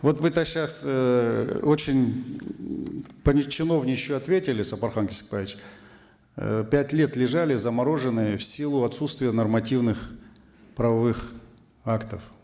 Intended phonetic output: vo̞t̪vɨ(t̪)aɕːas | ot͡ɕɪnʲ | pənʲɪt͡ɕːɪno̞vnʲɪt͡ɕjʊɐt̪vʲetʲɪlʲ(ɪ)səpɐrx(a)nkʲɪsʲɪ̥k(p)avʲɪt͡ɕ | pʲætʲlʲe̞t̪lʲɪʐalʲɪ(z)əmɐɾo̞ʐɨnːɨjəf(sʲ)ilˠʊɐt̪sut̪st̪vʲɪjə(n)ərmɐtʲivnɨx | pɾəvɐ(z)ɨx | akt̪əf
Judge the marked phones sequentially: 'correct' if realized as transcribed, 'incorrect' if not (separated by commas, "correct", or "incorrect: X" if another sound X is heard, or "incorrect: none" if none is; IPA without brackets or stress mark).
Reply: correct, correct, correct, correct, correct, correct, correct, incorrect: v